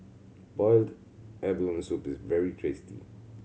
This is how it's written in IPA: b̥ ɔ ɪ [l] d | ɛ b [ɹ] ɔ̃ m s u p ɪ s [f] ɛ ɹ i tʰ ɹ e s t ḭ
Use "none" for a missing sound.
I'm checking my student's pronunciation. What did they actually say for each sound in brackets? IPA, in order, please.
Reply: l, l, v

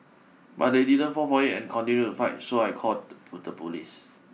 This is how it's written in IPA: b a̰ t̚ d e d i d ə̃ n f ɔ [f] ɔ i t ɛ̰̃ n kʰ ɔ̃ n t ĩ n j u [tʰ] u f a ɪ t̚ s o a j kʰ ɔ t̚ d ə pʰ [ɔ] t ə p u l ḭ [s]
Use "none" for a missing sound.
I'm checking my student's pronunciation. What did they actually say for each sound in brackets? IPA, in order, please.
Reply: f, t, u, s

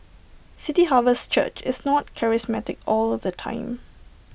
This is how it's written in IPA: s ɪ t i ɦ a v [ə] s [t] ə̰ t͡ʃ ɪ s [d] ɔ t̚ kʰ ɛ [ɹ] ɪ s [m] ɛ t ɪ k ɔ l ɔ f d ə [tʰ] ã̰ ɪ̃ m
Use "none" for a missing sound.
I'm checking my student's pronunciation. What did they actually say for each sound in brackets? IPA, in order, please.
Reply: ə, t͡ʃ, n, ɹ, m, tʰ

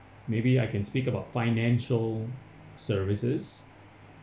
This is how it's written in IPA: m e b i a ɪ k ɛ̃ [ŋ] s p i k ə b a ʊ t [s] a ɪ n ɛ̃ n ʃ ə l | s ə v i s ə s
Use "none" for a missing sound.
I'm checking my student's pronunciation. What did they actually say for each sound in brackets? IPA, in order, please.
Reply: n, f

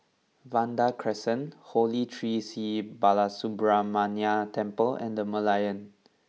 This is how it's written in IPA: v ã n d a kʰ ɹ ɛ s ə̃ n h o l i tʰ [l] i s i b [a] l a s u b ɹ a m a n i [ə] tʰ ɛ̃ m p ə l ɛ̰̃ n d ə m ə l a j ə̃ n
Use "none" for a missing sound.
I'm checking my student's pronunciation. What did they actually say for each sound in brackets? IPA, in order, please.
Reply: ɹ, a, a

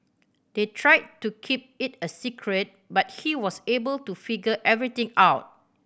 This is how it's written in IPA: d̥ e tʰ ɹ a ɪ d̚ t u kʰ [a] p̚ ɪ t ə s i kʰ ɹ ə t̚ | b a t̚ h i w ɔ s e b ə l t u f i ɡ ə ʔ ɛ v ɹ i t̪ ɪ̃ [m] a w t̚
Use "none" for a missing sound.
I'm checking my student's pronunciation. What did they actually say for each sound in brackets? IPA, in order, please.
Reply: i, ŋ

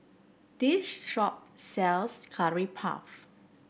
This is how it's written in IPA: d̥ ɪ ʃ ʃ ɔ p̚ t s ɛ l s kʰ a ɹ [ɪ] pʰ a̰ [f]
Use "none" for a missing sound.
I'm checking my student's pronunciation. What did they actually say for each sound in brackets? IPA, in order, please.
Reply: i, f

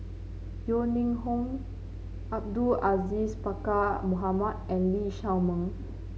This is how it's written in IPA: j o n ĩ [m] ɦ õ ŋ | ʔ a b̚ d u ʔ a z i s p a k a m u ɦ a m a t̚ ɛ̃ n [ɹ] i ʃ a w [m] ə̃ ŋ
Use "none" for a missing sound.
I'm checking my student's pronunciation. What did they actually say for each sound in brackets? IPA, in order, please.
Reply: ŋ, l, m

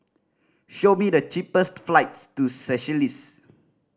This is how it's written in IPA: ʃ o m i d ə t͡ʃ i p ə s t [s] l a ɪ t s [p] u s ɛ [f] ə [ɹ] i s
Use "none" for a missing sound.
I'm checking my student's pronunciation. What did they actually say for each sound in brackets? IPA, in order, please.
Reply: f, t, ʃ, l

